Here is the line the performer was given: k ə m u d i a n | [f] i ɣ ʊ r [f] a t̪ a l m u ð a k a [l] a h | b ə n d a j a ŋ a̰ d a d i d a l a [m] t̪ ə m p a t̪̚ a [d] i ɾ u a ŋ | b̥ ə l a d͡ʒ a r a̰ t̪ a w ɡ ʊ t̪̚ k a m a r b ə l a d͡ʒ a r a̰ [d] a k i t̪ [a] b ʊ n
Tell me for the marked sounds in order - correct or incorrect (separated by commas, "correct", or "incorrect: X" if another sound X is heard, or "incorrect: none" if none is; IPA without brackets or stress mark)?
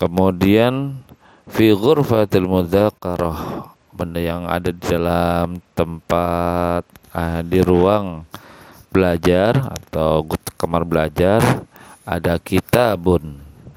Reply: correct, correct, incorrect: ɾ, correct, correct, correct, correct